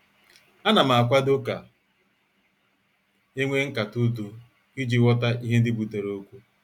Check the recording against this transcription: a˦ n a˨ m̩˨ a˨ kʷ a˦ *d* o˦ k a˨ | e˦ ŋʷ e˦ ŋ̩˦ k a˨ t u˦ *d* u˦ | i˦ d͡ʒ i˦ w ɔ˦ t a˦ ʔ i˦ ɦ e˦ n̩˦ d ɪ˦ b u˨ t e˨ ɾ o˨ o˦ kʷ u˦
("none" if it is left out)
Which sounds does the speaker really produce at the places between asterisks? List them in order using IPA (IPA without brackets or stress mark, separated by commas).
d, d